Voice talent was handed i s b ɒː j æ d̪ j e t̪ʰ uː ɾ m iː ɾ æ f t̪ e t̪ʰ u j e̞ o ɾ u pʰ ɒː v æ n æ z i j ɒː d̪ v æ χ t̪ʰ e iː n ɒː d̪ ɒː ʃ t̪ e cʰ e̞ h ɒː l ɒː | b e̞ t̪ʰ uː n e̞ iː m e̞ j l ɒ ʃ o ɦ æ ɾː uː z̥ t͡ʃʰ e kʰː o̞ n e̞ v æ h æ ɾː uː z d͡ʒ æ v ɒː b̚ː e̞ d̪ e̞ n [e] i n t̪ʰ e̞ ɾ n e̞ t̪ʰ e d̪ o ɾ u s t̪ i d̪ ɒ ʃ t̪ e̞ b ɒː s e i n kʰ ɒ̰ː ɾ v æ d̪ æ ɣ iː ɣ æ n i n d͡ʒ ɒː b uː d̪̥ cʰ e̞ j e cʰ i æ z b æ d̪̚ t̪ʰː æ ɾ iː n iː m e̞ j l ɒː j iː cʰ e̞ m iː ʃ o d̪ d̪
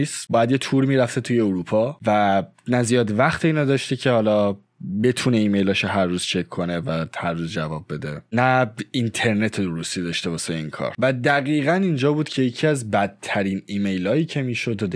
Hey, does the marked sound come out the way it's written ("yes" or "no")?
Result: no